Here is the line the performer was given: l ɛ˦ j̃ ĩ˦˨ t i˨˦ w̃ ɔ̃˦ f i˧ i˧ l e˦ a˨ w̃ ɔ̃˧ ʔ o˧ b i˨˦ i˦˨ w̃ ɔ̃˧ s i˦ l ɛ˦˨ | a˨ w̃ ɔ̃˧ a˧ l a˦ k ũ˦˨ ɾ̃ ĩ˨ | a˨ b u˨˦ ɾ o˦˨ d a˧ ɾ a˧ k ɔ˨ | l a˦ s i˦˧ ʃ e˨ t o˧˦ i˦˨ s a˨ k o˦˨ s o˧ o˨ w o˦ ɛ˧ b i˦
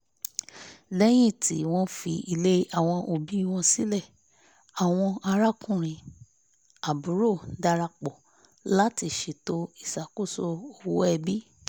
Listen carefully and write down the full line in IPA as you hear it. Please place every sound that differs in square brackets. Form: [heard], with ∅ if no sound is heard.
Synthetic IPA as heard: l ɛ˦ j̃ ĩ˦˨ t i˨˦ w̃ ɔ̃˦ f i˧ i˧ l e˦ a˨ w̃ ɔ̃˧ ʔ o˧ b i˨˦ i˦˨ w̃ ɔ̃˧ s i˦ l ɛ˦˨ | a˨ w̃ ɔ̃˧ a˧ [ɾ] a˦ k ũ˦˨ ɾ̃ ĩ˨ | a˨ b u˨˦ ɾ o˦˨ d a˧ ɾ a˧ [k͡p] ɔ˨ | l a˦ [t] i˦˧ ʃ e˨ t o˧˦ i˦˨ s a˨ k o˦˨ s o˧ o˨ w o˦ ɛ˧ b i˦